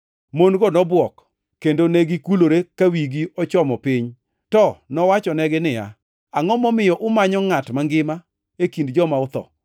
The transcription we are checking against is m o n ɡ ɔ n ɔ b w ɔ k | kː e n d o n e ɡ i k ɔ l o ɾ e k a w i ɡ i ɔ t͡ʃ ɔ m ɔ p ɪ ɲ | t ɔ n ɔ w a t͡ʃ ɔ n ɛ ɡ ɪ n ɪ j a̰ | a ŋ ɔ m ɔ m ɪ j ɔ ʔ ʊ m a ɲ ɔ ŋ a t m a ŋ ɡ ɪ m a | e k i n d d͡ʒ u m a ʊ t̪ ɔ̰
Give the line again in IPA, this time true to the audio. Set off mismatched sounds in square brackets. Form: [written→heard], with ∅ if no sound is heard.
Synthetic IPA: m o n ɡ ɔ n ɔ b w ɔ k | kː e n d o n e ɡ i k [ɔ→u] l o ɾ e k a w i ɡ i ɔ t͡ʃ ɔ m ɔ p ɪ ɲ | t ɔ n ɔ w a t͡ʃ ɔ n ɛ ɡ ɪ n ɪ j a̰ | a ŋ ɔ m ɔ m ɪ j ɔ ʔ ʊ m a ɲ ɔ ŋ a t m a ŋ ɡ ɪ m a | e k i n d d͡ʒ [u→ɔ] m a ʊ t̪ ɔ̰